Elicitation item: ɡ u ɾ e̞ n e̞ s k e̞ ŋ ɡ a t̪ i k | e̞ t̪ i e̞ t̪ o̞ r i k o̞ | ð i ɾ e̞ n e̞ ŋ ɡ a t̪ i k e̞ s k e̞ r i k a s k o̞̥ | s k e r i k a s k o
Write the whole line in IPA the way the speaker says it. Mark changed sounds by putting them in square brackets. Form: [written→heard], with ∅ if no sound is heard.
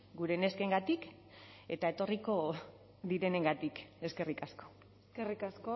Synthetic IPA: ɡ u ɾ e̞ n e̞ s k e̞ ŋ ɡ a t̪ i k | e̞ t̪ [i→a] e̞ t̪ o̞ r i k o̞ | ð i ɾ e̞ n e̞ ŋ ɡ a t̪ i k e̞ s k e̞ r i k a s k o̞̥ | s k e r i k a s k o